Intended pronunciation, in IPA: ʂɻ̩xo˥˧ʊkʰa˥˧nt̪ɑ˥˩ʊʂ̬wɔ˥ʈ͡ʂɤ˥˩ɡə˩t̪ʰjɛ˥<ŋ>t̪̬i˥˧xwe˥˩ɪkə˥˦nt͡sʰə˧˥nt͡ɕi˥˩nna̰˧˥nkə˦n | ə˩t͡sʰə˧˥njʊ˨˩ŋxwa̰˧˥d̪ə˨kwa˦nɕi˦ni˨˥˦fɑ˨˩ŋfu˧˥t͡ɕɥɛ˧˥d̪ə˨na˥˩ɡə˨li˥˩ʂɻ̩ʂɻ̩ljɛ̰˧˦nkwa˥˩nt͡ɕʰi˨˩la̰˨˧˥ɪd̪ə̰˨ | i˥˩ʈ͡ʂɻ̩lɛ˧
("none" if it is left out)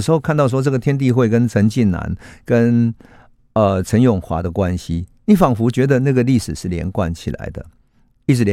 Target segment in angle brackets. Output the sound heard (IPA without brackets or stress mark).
n